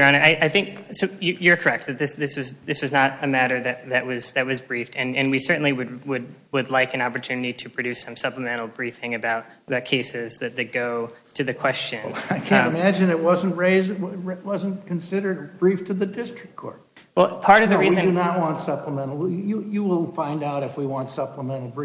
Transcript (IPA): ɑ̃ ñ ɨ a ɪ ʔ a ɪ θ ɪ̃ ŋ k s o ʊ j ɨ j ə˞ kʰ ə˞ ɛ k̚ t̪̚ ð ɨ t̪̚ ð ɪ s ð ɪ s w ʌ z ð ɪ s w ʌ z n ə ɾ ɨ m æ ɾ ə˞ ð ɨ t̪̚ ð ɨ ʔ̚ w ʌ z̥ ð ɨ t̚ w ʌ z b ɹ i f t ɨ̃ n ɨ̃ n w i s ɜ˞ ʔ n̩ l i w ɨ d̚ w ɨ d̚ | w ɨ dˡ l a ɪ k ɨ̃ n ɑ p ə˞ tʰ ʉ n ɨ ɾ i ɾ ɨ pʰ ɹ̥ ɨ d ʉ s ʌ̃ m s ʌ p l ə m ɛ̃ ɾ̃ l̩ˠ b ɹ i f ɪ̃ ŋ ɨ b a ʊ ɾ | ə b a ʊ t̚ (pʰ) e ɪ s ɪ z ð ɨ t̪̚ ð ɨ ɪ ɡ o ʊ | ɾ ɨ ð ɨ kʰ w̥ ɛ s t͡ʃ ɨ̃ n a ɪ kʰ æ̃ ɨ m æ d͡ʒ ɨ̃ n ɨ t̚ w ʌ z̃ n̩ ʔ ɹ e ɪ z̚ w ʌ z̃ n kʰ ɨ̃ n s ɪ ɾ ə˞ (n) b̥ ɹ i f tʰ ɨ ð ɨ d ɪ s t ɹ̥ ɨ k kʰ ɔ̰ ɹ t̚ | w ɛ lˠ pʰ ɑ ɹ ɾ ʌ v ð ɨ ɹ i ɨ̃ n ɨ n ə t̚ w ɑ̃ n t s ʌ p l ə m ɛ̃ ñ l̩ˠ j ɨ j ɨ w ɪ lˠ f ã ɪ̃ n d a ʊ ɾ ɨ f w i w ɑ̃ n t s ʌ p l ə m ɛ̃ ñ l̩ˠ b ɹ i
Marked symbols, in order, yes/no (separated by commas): no, no